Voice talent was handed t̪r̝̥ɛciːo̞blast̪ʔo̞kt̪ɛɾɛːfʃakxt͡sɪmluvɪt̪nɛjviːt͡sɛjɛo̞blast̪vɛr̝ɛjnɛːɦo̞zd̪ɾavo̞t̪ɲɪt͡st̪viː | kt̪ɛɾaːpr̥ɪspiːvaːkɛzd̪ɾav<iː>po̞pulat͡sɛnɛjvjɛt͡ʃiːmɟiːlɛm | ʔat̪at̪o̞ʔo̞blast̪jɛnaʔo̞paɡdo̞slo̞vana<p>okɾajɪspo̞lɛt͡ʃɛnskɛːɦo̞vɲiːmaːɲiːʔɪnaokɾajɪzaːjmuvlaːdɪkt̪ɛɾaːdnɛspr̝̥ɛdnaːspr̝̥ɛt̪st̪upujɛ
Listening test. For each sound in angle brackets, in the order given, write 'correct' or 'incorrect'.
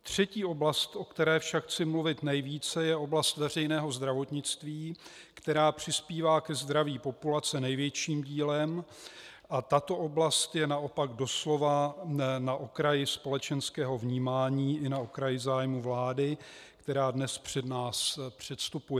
correct, incorrect: ʔ

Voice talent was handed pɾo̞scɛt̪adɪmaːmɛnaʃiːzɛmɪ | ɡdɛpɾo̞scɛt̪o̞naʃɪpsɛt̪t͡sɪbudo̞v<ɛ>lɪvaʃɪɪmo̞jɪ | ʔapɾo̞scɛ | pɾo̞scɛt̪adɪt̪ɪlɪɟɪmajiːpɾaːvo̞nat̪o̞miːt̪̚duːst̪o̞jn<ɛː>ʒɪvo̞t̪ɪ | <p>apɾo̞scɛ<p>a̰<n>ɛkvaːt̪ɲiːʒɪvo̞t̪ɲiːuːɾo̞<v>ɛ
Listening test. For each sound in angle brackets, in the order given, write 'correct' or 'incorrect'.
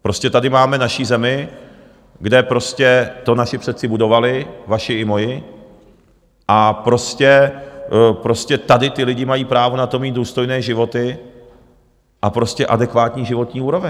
incorrect: a, correct, incorrect: ʔ, incorrect: ʔ, incorrect: d, correct

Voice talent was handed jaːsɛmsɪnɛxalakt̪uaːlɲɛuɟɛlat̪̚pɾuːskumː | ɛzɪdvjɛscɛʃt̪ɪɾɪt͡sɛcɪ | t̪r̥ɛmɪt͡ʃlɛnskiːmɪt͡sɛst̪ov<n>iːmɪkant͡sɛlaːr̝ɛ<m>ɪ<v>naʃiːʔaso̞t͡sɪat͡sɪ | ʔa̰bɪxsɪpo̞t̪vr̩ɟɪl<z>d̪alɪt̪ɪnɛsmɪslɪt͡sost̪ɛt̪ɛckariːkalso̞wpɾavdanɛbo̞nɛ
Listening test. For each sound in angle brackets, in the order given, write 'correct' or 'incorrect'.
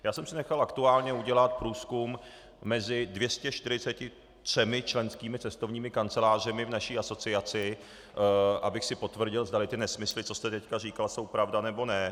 incorrect: ɲ, correct, correct, correct

